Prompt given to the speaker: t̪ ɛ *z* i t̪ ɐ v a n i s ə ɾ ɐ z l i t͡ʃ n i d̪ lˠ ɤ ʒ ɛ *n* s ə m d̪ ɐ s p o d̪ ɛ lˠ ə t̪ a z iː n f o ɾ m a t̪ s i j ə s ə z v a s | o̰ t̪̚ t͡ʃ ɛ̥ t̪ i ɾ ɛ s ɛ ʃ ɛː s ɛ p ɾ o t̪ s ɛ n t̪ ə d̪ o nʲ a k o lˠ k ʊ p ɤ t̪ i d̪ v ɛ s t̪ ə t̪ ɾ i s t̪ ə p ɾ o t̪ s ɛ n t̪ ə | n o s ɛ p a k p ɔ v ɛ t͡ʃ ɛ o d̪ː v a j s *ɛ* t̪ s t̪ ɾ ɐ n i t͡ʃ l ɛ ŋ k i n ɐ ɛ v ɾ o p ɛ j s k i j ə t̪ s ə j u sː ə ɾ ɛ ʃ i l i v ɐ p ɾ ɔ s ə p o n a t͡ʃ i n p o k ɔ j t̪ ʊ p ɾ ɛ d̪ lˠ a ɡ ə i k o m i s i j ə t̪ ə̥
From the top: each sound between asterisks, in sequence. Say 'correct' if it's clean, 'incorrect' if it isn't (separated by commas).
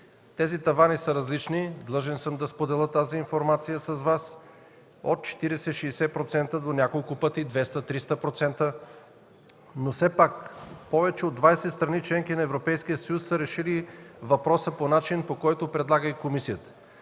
correct, correct, correct